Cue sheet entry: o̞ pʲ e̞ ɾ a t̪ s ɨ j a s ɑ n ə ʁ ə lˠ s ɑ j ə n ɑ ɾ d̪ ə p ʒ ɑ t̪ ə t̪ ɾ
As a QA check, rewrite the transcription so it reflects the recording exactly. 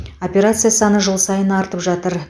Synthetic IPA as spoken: o̞ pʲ e̞ ɾ a t̪ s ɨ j a s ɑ n ə ʒ ə lˠ s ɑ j ə n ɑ ɾ t̪ ə p ʒ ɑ t̪ ə ɾ